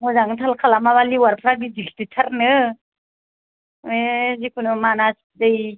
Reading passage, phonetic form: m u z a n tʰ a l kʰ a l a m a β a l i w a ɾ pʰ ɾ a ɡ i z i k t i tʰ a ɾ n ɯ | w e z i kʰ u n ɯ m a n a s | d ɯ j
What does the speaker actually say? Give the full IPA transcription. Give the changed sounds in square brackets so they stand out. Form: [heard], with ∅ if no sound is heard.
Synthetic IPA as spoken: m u z a [ŋ] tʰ a l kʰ a l a m a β a l i w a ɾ pʰ ɾ a ɡ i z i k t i tʰ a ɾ n ɯ | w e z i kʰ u n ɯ m a n a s | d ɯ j